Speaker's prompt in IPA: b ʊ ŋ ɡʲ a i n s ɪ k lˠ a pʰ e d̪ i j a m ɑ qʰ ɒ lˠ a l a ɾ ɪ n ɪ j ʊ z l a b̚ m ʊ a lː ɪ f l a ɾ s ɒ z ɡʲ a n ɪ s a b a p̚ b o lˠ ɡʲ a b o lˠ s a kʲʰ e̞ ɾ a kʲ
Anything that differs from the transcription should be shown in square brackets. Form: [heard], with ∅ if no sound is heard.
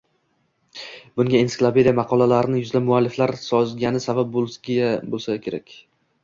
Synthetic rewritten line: b ʊ ŋ ɡʲ a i n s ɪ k lˠ a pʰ e d̪ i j a m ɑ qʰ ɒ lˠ a l a ɾ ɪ n ɪ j ʊ z l a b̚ m ʊ a lː ɪ f l a ɾ s ɒ z ɡʲ a n ɪ s a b a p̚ b o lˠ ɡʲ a b o lˠ s a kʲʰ e̞ ɾ a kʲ